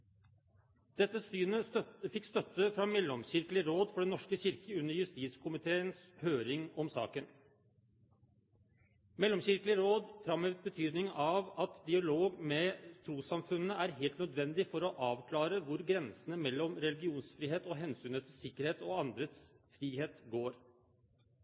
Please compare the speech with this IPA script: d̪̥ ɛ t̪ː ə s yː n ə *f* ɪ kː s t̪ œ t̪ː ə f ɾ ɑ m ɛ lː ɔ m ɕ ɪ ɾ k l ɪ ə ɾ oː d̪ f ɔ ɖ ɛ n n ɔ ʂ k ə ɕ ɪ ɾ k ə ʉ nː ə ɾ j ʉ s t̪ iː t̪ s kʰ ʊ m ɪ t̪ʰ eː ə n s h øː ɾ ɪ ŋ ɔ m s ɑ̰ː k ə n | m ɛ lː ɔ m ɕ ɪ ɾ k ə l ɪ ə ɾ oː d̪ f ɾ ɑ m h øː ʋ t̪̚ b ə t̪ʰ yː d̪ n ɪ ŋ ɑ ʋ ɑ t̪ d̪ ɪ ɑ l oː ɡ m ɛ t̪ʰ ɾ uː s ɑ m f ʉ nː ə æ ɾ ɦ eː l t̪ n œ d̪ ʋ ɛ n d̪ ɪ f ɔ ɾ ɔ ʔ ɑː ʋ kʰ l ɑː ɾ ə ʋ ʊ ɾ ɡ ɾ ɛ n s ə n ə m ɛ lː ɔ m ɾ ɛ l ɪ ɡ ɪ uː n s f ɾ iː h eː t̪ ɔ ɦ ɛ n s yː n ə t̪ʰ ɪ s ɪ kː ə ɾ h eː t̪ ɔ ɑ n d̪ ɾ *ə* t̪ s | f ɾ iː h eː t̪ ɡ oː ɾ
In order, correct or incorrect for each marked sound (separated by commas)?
correct, correct